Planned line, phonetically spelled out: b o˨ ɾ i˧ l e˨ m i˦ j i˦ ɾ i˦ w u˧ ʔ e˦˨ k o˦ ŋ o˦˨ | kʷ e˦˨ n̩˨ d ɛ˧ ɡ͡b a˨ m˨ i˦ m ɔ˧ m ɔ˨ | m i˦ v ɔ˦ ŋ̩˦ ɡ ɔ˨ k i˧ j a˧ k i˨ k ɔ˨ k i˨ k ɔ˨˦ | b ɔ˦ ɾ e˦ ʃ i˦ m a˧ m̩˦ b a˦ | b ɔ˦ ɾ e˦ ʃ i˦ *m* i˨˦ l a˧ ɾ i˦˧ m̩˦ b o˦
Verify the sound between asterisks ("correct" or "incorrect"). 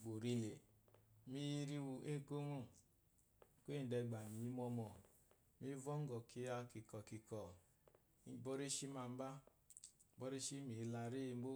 correct